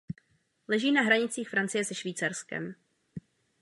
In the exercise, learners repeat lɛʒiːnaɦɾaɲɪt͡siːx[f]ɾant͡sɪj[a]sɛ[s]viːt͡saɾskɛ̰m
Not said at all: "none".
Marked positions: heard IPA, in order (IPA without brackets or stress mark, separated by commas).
f, ɛ, ʃ